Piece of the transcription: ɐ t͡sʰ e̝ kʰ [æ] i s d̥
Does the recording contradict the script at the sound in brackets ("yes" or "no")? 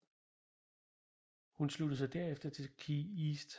yes